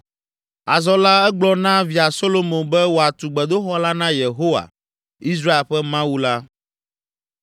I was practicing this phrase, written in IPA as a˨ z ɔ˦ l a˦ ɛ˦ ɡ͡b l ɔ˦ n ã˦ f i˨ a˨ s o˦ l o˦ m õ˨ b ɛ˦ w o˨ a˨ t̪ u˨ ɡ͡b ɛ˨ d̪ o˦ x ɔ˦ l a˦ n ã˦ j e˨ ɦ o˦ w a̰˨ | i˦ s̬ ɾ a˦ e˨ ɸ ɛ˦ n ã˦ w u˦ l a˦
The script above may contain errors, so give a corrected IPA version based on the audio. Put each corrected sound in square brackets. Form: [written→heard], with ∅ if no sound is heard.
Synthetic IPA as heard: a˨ z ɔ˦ l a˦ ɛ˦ ɡ͡b l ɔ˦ n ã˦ [f→v] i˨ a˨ s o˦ l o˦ m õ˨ b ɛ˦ w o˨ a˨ t̪ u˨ ɡ͡b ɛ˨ d̪ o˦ x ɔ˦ l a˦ n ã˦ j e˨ ɦ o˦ w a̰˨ | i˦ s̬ ɾ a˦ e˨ ɸ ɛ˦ [n→m] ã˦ w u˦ l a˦

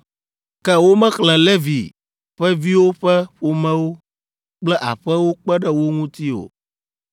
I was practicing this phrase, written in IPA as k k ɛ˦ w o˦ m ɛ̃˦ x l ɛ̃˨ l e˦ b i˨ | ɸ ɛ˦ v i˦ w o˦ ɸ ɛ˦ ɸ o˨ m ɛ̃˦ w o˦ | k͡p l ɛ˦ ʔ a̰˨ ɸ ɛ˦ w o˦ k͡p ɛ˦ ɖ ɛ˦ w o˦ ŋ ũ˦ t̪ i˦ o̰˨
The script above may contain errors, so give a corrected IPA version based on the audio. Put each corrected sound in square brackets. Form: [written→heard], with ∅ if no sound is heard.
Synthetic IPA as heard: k k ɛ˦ w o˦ m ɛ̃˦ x l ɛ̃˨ l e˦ [b→v] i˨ | ɸ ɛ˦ v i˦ w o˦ ɸ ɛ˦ ɸ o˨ m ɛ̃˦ w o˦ | k͡p l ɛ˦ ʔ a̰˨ ɸ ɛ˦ w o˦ k͡p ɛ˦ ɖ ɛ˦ w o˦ ŋ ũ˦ t̪ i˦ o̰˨

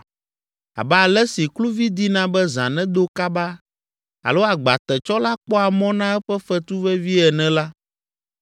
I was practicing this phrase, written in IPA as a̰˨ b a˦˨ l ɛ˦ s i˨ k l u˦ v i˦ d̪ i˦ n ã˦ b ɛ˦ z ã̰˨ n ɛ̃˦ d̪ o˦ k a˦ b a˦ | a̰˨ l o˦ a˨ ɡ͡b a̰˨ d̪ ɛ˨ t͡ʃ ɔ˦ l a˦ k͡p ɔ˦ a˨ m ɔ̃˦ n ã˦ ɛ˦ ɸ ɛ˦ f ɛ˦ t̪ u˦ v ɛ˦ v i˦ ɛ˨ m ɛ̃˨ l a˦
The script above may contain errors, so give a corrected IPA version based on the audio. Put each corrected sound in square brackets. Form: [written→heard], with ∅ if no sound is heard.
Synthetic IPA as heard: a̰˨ b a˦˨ l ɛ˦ s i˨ k l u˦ v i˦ d̪ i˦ n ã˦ b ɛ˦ z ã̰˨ n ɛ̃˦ d̪ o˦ k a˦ b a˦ | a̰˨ l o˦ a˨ ɡ͡b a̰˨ [d̪→t̪] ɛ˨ t͡ʃ ɔ˦ l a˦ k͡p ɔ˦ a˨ m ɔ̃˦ n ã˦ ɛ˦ ɸ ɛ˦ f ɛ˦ t̪ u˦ v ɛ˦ v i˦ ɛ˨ [m→n] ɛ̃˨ l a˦

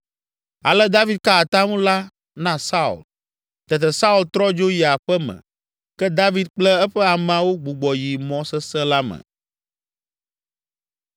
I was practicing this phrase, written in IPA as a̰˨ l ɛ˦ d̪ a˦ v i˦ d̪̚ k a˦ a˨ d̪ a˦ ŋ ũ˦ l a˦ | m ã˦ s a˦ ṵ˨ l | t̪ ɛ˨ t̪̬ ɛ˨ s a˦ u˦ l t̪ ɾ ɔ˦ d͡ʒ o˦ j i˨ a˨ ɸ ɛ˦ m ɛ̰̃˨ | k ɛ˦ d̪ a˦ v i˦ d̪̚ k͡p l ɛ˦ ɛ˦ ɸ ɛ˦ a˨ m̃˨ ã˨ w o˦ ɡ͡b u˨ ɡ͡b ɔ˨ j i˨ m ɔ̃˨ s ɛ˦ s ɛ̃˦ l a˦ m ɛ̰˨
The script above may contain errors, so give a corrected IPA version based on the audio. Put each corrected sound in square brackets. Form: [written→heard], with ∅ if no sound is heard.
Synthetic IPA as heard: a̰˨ l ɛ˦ d̪ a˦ v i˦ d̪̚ k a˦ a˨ [d̪→t̪] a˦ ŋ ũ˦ l a˦ | [m→n] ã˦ s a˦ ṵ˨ l | t̪ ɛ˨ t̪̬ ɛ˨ s a˦ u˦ l t̪ ɾ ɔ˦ d͡ʒ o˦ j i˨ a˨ ɸ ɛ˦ m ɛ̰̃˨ | k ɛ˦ d̪ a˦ v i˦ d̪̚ k͡p l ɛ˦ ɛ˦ ɸ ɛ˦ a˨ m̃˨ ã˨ w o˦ ɡ͡b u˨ ɡ͡b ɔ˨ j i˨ m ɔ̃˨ s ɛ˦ s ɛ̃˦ l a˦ m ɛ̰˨

